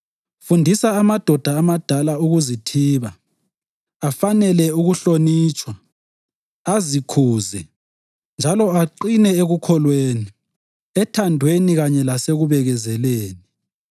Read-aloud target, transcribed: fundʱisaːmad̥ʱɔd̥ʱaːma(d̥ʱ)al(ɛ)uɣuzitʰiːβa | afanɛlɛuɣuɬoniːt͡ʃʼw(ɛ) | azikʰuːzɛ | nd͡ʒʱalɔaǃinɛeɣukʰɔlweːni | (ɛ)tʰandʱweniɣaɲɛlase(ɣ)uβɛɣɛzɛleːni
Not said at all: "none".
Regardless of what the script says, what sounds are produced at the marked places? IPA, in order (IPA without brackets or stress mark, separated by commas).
d̥ʱ, a, a, ɛ, ɣ